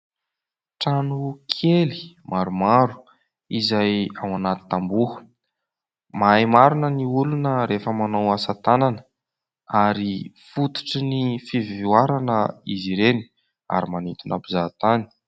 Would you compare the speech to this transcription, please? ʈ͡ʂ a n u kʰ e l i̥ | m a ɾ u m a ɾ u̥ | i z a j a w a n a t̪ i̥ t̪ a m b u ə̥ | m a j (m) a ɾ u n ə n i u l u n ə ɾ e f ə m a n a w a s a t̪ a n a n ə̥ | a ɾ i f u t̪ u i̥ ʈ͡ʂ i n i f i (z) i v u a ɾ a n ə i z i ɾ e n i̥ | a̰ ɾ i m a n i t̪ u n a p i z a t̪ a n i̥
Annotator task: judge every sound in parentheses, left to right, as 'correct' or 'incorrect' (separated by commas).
correct, incorrect